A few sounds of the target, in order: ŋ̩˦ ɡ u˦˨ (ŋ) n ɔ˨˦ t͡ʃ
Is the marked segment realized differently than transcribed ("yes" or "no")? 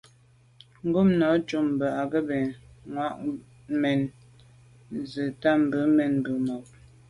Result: yes